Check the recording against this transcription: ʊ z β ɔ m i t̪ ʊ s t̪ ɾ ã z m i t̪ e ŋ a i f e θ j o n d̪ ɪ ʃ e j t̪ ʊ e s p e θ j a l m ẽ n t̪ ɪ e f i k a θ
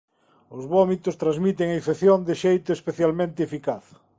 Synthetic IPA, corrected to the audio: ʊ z β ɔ m i t̪ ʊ s t̪ ɾ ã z m i t̪ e ŋ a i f e θ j o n d̪ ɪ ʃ e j t̪ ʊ e s p e θ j a l m ẽ n t̪ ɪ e f i k a θ

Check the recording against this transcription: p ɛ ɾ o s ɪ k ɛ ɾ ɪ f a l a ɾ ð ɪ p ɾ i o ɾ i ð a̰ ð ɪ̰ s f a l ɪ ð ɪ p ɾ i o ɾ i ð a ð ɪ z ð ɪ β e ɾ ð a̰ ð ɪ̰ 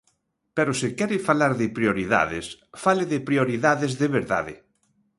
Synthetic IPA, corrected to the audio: p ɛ ɾ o s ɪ k ɛ ɾ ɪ f a l a ɾ ð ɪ p ɾ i o ɾ i ð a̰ ð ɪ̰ s f a l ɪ ð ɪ p ɾ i o ɾ i ð a ð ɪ z ð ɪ β e ɾ ð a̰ ð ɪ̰

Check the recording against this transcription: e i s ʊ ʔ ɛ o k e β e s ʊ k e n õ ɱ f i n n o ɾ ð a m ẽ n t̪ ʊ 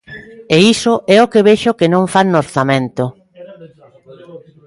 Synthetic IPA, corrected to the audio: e i s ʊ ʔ ɛ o k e β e ʃ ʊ k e n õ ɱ f a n n o ɾ θ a m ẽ n t̪ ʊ

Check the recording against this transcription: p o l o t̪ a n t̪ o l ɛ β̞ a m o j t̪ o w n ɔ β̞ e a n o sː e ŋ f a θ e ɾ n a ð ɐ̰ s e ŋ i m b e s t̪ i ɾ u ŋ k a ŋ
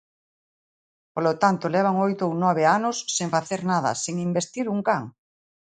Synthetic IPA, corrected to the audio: p o l o t̪ a n t̪ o l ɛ β̞ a ŋ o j t̪ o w n ɔ β̞ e a n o sː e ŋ f a θ e ɾ n a ð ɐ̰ s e ŋ i m b e s t̪ i ɾ u ŋ k a ŋ

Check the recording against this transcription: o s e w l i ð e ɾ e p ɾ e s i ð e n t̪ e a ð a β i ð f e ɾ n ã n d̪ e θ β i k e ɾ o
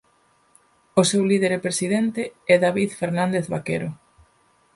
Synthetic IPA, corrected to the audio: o s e w l i ð e ɾ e p ɾ e s i ð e n t̪ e ɛ ð a β i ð f e ɾ n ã n d̪ e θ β a k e ɾ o

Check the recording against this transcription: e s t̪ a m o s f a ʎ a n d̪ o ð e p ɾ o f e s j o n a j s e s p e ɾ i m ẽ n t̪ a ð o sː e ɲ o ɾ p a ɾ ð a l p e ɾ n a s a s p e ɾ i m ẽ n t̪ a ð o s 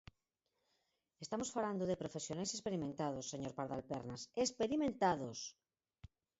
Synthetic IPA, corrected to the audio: e s t̪ a m o s f a l a n d̪ o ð e p ɾ o f e s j o n a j s e s p e ɾ i m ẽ n t̪ a ð o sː e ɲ o ɾ p a ɾ ð a l p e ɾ n a s e s p e ɾ i m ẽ n t̪ a ð o s

